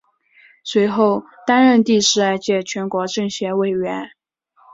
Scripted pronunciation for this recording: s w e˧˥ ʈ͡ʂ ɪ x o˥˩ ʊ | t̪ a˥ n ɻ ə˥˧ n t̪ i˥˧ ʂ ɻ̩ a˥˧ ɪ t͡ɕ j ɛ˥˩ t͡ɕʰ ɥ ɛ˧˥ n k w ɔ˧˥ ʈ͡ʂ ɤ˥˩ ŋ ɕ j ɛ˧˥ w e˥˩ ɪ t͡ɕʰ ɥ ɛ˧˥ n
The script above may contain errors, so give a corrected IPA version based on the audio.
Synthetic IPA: s w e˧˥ ɪ x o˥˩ ʊ | t̪ a˥ n ɻ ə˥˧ n t̪ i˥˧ ʂ ɻ̩ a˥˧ ɪ t͡ɕ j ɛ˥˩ t͡ɕʰ ɥ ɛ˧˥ n k w ɔ˧˥ ʈ͡ʂ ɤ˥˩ ŋ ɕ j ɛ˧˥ w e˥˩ ɪ ɥ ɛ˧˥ n